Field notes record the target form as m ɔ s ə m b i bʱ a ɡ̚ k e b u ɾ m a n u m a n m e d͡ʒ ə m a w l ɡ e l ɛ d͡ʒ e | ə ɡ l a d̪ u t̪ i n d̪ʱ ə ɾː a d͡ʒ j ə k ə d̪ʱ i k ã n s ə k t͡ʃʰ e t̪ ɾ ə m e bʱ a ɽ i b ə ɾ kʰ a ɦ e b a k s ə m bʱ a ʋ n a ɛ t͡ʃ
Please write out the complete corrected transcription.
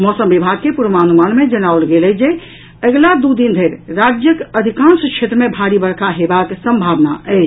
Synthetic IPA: m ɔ s ə m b i bʱ a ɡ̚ k e p u ɾ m a n u m a n m e d͡ʒ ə n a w l ɡ e l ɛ d͡ʒ e | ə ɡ l a d̪ u d̪ i n d̪ʱ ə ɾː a d͡ʒ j ə k ə d̪ʱ i k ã n s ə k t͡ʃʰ e t̪ ɾ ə m e bʱ a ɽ i b ə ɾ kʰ a ɦ e b a k s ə m bʱ a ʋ n a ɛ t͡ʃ

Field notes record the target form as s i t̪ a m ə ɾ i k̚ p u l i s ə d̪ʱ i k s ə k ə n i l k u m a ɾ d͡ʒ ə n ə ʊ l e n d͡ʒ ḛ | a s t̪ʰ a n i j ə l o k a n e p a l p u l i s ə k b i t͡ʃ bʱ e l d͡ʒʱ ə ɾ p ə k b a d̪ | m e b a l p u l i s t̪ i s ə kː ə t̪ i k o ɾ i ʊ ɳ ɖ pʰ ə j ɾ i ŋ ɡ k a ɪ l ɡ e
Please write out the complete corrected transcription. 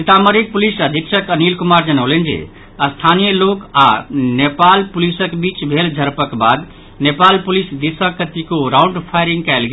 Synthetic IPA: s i t̪ a m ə ɾ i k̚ p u l i s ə d̪ʱ i k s ə k ə n i l k u m a ɾ d͡ʒ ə n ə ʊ l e n d͡ʒ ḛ | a s t̪ʰ a n i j ə l o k a n e p a l p u l i s ə k b i t͡ʃ bʱ e l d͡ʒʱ ə ɾ p ə k b a d̪ | n e p a l p u l i s d̪ i s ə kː ə t̪ i k o ɾ a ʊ ɳ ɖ pʰ a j ɾ i ŋ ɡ k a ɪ l ɡ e

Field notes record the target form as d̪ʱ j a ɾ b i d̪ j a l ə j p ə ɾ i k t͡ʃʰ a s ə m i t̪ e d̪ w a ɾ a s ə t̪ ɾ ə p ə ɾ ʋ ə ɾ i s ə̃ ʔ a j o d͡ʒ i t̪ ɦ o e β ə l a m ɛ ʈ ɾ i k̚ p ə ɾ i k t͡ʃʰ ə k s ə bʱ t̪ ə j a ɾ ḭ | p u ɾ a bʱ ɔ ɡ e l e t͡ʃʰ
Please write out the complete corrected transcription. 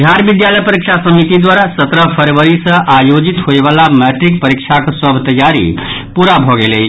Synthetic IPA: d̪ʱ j a ɾ b i d̪ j a l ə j p ə ɾ i k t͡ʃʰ a s ə m i t̪ i d̪ w a ɾ a s ə t̪ ɾ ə pʰ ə ɾ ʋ ə ɾ i s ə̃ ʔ a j o d͡ʒ i t̪ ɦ o e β a l a m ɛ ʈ ɾ i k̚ p ə ɾ i k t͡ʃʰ a k s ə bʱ t̪ ə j a ɾ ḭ | p u ɾ a bʱ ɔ ɡ e l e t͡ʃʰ

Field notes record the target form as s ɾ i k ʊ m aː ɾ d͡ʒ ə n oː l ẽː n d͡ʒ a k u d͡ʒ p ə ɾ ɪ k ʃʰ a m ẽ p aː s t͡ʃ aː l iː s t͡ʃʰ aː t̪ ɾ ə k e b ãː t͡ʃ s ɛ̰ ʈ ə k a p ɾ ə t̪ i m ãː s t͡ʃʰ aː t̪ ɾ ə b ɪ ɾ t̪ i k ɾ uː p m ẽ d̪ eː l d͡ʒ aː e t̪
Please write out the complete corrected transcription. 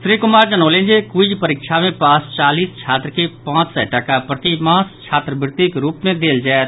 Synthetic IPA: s ɾ i k ʊ m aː ɾ d͡ʒ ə n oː l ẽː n d͡ʒ e k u d͡ʒ p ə ɾ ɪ k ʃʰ a m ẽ p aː s t͡ʃ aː l iː s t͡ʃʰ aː t̪ ɾ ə k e p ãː t͡ʃ s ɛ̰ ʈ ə k a p ɾ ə t̪ i m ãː s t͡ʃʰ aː t̪ ɾ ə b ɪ ɾ t̪ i k ɾ uː p m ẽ d̪ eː l d͡ʒ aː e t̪

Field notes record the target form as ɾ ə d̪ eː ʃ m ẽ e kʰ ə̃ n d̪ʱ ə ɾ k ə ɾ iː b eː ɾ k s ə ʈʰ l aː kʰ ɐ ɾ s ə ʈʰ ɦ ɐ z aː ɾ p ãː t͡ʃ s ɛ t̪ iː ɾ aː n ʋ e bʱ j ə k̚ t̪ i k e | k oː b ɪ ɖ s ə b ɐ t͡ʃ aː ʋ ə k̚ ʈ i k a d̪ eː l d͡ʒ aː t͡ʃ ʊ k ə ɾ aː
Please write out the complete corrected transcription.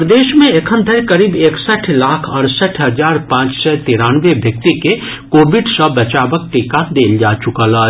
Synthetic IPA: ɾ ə d̪ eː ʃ m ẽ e kʰ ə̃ n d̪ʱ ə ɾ k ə ɾ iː b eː k s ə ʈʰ l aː kʰ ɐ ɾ s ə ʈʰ ɦ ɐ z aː ɾ p ãː t͡ʃ s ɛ t̪ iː ɾ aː n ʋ e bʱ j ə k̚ t̪ i k e | k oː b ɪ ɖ s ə b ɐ t͡ʃ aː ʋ ə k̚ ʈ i k a d̪ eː l d͡ʒ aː t͡ʃ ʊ k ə l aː

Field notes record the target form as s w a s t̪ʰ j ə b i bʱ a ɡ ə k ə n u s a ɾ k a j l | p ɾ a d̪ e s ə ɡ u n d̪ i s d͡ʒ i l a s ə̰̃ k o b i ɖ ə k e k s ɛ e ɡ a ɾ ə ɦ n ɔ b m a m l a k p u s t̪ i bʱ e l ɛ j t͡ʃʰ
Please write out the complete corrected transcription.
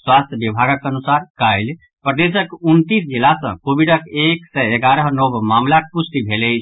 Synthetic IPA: s w a s t̪ʰ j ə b i bʱ a ɡ ə k ə n u s a ɾ k a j l | p ɾ ə d̪ e s ə k u n t̪ i s d͡ʒ i l a s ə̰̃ k o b i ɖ ə k e k s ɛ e ɡ a ɾ ə ɦ n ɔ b m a m l a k p u s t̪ i bʱ e l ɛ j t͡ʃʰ

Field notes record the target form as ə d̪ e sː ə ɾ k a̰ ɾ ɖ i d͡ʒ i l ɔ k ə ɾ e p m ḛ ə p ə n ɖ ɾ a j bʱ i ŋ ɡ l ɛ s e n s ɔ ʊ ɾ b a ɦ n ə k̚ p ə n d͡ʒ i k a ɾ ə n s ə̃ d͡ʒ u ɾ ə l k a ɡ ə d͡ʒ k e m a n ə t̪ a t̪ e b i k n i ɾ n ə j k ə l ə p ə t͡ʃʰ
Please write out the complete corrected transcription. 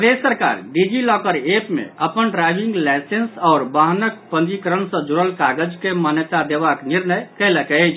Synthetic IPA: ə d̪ e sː ə ɾ k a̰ ɾ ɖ i d͡ʒ i l ɔ k ə ɾ e p m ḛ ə p ə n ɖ ɾ a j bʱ i ŋ ɡ l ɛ s e n s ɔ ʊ ɾ b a ɦ n ə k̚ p ə n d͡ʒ i k ə ɾ ə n s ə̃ d͡ʒ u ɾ ə l k a ɡ ə d͡ʒ k e m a n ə t̪ a d̪ e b a k n i ɾ n ə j k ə l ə k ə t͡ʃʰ

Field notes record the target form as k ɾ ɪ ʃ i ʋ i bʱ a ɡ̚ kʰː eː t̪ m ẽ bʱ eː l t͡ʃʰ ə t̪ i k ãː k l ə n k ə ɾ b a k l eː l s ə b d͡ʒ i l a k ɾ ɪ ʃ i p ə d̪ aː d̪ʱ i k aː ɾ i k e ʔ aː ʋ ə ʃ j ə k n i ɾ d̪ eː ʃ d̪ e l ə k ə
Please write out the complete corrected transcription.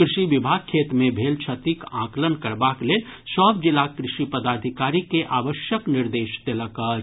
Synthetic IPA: k ɾ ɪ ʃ i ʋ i bʱ a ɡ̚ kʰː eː t̪ m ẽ bʱ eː l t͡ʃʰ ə t̪ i k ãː k l ə n k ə ɾ b a k l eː l s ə b d͡ʒ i l a k ɾ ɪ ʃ i p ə d̪ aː d̪ʱ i k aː ɾ i k e ʔ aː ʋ ə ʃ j ə k n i ɾ d̪ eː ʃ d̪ e l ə k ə

